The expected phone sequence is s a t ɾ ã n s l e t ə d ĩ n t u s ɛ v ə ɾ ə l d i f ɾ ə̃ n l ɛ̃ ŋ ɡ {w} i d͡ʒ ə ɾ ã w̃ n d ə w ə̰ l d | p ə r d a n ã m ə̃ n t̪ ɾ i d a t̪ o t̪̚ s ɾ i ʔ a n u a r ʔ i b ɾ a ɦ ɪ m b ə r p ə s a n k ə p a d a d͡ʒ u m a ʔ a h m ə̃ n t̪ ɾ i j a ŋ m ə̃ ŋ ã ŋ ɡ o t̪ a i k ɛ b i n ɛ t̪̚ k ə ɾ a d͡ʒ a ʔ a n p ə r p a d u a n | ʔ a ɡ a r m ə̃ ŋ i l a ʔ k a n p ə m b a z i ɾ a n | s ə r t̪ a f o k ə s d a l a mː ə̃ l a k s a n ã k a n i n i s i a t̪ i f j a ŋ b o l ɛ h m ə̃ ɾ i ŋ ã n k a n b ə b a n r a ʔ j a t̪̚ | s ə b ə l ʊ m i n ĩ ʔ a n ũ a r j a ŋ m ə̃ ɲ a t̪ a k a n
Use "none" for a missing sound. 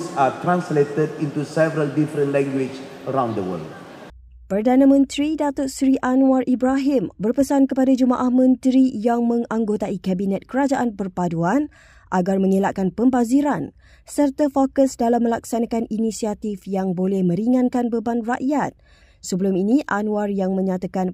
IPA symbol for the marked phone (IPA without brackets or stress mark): w